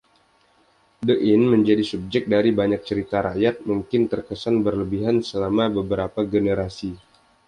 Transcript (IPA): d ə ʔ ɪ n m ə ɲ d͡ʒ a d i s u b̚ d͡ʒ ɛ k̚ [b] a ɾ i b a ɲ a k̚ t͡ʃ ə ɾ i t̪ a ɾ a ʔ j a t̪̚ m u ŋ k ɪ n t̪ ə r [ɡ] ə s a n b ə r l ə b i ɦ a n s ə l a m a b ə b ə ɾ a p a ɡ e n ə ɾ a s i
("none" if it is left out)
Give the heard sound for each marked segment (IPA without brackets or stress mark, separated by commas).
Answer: d, k